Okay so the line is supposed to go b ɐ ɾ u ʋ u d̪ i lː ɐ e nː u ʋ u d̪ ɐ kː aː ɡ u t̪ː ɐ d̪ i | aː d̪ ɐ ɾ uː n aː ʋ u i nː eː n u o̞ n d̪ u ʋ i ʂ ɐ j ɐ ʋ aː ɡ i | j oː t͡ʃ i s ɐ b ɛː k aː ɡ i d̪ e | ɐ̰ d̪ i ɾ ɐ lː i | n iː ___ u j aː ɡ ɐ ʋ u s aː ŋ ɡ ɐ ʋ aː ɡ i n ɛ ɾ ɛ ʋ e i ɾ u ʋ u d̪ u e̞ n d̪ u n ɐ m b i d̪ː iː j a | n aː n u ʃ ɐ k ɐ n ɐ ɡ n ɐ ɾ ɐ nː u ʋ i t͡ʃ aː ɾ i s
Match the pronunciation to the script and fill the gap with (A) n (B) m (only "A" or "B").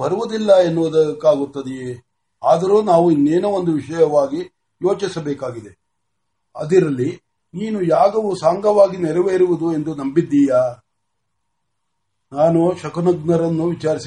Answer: A